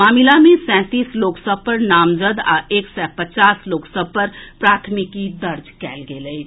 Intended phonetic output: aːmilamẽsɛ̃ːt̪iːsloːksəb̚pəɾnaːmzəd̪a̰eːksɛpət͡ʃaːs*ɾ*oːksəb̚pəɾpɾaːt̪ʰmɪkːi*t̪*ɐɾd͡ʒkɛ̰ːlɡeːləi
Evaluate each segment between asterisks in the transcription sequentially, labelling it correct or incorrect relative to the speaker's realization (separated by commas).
incorrect, incorrect